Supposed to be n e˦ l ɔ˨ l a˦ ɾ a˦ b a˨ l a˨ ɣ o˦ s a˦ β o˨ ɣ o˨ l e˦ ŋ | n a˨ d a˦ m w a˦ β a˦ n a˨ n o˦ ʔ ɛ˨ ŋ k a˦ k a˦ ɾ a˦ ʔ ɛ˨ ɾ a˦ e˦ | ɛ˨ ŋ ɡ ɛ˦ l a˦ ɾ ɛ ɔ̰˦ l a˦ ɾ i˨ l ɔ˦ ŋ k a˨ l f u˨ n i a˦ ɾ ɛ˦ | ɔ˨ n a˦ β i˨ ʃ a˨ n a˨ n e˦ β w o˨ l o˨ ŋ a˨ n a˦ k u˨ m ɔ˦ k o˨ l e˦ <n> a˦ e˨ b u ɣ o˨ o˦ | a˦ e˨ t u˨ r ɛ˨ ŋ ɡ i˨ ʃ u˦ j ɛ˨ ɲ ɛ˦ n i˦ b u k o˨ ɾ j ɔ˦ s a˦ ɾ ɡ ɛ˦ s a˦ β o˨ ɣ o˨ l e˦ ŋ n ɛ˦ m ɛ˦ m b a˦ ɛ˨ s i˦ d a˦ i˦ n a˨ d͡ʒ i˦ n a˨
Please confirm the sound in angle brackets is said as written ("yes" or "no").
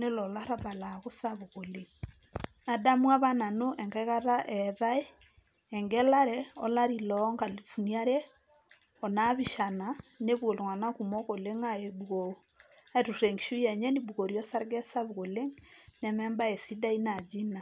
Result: no